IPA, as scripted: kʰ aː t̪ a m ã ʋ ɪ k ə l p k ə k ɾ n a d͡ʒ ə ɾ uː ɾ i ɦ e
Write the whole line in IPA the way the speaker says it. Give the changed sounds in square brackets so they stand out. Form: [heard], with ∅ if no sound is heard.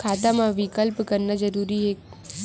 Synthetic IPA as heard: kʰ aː t̪ a m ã ʋ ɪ k ə l p k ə [∅] ɾ n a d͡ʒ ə ɾ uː ɾ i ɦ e